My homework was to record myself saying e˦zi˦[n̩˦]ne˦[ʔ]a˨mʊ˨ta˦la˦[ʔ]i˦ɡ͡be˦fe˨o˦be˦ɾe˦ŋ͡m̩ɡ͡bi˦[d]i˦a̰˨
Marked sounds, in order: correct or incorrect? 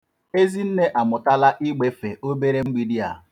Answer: correct, correct, correct, correct

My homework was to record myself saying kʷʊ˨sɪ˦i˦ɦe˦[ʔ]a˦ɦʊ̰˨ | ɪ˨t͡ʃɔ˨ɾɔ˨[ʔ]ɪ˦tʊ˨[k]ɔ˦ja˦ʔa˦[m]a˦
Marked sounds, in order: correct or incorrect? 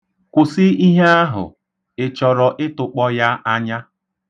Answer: incorrect: none, correct, incorrect: k͡p, incorrect: ɲ

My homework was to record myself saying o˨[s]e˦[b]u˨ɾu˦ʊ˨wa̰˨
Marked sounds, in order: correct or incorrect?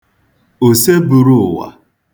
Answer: correct, correct

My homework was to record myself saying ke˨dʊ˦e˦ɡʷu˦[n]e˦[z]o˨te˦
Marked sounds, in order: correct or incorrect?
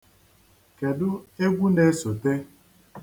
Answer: correct, incorrect: s

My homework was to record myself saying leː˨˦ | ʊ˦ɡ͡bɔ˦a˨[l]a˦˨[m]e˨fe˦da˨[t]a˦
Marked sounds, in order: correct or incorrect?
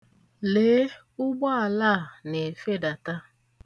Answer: correct, incorrect: n, correct

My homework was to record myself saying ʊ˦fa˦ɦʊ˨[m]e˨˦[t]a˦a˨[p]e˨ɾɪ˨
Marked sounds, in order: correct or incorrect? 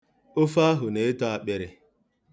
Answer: incorrect: n, correct, incorrect: k͡p

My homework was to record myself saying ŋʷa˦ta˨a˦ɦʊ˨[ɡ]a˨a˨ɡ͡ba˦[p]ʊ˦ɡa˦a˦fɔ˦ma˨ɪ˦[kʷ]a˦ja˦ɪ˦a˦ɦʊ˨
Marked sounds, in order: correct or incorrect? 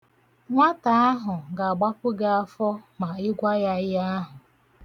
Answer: correct, correct, incorrect: ɡʷ

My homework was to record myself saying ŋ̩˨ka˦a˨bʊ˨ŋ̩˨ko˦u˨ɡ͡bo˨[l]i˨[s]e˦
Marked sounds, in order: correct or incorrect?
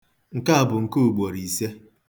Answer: incorrect: ɾ, correct

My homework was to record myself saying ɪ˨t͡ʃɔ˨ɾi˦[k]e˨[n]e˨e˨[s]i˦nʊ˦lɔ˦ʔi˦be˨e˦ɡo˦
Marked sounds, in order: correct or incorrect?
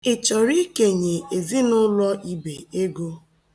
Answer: correct, incorrect: ɲ, incorrect: z

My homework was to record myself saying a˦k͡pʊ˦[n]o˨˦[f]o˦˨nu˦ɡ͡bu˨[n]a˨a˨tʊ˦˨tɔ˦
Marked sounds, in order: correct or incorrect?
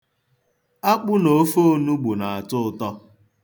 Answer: correct, correct, correct

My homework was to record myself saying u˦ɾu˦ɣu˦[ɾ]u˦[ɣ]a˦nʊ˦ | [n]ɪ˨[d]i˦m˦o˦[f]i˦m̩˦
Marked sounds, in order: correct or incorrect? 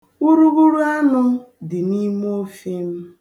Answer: correct, incorrect: none, incorrect: d, incorrect: n, correct

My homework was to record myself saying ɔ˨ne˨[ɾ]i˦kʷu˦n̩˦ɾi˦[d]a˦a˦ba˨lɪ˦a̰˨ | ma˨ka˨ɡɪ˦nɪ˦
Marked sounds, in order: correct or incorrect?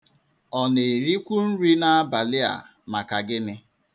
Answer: correct, incorrect: n

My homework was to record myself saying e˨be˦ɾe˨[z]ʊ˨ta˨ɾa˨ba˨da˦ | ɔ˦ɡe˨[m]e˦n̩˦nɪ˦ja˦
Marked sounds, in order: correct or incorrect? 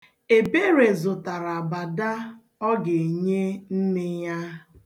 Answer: correct, incorrect: ɲ

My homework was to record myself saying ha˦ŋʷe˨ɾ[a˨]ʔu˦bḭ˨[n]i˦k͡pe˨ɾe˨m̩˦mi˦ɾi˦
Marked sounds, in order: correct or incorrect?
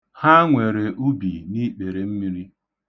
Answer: incorrect: e˨, correct

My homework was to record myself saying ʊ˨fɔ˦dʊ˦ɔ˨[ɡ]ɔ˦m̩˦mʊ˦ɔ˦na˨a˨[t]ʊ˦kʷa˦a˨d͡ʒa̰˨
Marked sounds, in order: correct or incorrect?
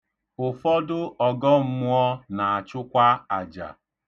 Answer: correct, incorrect: t͡ʃ

